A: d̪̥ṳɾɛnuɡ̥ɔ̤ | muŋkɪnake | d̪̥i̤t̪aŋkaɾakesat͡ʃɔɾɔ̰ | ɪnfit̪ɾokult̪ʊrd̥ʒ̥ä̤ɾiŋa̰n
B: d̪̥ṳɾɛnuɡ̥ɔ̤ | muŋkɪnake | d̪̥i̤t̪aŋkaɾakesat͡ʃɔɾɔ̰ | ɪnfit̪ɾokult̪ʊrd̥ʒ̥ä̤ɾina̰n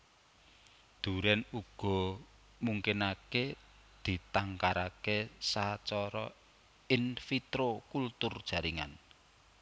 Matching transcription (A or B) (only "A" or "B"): A